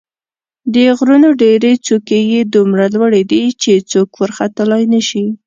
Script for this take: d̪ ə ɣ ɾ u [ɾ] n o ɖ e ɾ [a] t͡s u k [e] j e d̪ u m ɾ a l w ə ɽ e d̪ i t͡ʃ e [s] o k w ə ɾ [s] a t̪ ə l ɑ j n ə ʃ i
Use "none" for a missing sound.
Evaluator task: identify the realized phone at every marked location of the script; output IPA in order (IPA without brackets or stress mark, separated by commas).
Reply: none, e, e, t͡s, x